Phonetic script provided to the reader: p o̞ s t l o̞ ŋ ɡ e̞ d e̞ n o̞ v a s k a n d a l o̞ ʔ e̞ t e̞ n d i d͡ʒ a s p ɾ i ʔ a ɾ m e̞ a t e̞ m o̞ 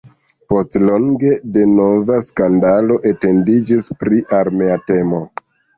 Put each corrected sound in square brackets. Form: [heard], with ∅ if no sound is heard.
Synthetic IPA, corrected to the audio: p o̞ s t l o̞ ŋ ɡ e̞ d e̞ n o̞ v a s k a n d a l o̞ ʔ e̞ t e̞ n d i d͡ʒ [i] s p ɾ i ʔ a ɾ m e̞ a t e̞ m o̞